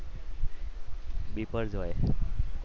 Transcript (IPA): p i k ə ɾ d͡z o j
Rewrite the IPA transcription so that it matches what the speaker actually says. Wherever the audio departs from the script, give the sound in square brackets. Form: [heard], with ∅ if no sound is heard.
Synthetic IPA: [b] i [p] ə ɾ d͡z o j